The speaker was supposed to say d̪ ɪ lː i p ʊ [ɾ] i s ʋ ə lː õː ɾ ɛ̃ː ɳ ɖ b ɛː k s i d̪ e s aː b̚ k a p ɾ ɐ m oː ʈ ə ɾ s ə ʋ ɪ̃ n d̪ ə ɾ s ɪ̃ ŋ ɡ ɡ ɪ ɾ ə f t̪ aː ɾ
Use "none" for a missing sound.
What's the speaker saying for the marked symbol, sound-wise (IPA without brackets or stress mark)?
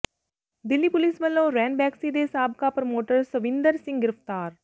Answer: l